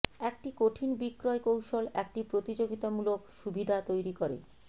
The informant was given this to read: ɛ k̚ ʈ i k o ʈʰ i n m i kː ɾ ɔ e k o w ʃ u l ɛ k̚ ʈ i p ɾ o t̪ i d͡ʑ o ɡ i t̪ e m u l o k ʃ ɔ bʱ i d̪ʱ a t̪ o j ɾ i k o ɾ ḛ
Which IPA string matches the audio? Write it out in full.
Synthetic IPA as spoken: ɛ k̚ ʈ i k o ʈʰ i n b i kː ɾ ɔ e k o w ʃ o l ɛ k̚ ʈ i p ɾ o t̪ i d͡ʑ o ɡ i t̪ a m u l o k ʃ u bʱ i d̪ʱ a t̪ o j ɾ i k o ɾ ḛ